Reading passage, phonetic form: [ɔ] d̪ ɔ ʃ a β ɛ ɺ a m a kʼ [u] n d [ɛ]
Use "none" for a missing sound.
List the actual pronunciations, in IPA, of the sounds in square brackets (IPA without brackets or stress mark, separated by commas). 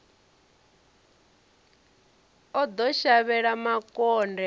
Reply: ɔ, ɔ, ɛ